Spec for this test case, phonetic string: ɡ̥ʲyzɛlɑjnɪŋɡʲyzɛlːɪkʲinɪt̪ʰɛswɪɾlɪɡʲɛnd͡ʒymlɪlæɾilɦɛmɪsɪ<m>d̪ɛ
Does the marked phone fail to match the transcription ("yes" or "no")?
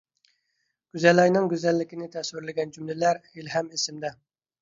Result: no